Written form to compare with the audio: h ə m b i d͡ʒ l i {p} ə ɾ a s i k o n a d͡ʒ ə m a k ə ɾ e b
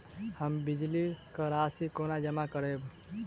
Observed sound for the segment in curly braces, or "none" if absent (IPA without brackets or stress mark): k